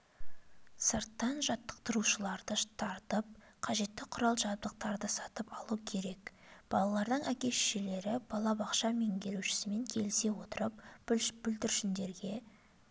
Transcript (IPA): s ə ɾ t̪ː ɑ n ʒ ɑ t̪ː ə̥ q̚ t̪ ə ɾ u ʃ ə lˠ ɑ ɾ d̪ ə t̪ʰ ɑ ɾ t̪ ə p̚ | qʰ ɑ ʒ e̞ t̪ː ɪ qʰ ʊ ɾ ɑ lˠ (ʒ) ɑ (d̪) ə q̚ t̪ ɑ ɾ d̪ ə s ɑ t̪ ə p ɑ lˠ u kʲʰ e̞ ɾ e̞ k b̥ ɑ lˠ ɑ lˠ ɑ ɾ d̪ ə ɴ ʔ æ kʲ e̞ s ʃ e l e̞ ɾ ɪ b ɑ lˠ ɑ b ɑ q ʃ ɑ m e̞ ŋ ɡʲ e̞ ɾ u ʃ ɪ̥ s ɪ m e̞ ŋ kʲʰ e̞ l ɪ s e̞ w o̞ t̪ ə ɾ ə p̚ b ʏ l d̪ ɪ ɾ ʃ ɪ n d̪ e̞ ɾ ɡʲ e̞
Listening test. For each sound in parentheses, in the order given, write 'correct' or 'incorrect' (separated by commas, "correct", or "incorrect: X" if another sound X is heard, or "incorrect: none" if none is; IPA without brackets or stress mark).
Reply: correct, correct